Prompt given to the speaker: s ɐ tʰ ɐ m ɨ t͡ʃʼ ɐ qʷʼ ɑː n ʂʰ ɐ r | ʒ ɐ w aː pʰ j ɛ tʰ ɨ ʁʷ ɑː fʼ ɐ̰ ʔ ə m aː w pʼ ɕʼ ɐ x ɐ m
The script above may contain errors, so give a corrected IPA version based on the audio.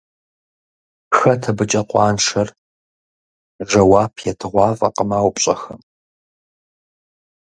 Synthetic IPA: x ɐ tʰ ɐ b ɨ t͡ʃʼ ɐ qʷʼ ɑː n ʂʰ ɐ r | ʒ ɐ w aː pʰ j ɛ tʰ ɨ ʁʷ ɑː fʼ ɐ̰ q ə m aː w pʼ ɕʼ ɐ x ɐ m